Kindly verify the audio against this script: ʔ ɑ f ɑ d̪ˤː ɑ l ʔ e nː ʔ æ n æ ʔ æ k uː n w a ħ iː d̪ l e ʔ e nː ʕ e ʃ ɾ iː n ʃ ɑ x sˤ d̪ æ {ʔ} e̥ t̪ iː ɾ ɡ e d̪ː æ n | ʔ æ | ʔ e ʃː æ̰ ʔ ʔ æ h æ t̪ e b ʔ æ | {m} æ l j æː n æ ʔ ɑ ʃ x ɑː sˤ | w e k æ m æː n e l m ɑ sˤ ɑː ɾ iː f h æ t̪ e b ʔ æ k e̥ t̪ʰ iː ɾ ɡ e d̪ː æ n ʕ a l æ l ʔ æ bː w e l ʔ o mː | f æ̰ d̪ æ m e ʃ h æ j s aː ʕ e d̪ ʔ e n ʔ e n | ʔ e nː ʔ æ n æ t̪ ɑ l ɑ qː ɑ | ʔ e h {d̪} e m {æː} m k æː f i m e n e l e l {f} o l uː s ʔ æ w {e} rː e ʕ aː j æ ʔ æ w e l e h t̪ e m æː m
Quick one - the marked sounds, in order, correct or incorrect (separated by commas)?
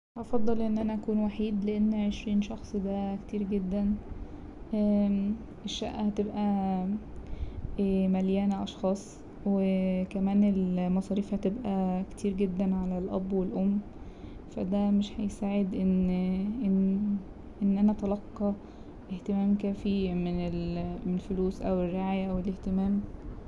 incorrect, correct, incorrect, correct, correct, correct